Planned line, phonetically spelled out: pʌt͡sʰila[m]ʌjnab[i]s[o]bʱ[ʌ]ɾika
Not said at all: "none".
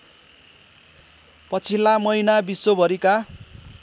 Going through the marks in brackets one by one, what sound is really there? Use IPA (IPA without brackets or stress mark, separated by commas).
m, i, o, ʌ